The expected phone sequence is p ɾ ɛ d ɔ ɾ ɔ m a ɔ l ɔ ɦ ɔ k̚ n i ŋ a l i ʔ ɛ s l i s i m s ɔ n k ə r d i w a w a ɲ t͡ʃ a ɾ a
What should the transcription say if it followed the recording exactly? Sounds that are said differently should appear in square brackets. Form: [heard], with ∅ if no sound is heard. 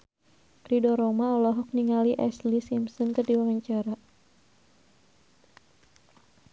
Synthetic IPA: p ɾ [i] d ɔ ɾ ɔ m a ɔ l ɔ ɦ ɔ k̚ n i ŋ a l i ʔ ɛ s l i s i m s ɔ n k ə r d i w a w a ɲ t͡ʃ a ɾ a